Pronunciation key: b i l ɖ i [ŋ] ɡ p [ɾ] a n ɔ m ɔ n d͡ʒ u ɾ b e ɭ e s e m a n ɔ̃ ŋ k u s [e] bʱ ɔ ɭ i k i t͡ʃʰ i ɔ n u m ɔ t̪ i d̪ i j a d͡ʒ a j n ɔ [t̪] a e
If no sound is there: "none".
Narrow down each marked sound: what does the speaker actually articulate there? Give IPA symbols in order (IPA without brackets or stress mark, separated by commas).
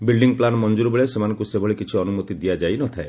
ŋ, l, e, t̪ʰ